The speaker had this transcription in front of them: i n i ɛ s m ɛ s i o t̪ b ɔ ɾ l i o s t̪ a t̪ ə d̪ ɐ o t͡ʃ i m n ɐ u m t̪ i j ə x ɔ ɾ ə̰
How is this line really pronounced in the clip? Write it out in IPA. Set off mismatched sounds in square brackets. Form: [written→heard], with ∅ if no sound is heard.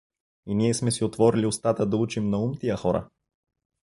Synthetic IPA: i n i ɛ s m ɛ s i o t̪ [b→v] ɔ ɾ l i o s t̪ a t̪ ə d̪ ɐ [o→u] t͡ʃ i m n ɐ u m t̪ i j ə x ɔ ɾ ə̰